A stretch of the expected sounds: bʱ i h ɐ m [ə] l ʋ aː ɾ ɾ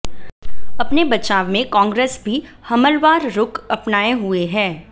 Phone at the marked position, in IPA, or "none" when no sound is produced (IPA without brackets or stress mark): ə